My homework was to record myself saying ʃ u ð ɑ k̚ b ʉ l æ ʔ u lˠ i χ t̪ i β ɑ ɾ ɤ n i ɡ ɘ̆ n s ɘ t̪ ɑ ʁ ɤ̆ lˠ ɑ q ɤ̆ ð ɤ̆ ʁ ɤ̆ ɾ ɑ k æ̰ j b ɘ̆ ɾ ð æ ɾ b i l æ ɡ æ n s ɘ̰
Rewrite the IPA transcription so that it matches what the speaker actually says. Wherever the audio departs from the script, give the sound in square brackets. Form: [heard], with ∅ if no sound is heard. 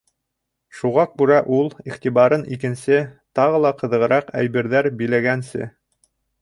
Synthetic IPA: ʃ u [ʁ] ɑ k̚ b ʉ [ɾ] æ ʔ u lˠ i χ t̪ i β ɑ ɾ ɤ n i [k] ɘ̆ n s ɘ t̪ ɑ ʁ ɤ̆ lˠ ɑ q ɤ̆ ð ɤ̆ ʁ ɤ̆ ɾ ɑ [q] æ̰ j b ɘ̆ ɾ ð æ ɾ b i l æ ɡ æ n s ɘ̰